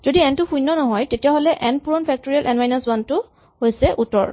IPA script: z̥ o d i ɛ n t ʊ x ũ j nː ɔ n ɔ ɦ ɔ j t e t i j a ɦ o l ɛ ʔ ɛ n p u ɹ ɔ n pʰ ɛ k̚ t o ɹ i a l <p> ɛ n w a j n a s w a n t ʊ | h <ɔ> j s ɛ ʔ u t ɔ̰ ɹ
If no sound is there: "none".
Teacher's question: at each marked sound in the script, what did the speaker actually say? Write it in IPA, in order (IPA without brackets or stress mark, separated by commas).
ʔ, o